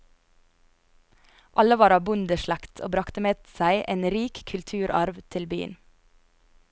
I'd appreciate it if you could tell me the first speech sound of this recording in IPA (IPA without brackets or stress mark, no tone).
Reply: ʔ